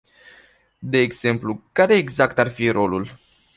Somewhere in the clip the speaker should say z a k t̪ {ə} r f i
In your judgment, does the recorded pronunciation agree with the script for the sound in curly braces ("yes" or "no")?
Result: no